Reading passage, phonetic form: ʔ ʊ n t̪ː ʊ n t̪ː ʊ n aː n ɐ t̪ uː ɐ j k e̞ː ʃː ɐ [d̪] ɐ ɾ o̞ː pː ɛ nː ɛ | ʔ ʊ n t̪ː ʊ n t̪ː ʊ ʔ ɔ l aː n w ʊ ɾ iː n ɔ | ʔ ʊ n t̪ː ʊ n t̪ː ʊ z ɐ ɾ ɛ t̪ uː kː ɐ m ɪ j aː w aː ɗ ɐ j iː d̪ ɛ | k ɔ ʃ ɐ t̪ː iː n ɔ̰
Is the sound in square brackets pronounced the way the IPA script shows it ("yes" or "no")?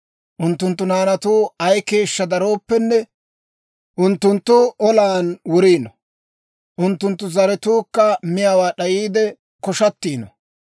yes